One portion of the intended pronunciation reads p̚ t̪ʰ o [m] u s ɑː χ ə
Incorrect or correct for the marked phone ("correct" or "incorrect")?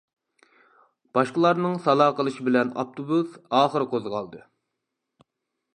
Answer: incorrect